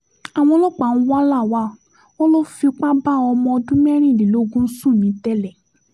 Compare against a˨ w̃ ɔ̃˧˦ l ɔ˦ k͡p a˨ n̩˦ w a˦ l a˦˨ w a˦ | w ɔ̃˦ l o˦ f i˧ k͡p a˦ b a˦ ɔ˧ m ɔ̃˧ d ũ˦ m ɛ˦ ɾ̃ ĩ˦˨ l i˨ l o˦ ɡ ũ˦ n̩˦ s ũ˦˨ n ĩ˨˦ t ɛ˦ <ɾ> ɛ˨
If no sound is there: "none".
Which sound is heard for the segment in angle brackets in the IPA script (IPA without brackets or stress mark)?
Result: l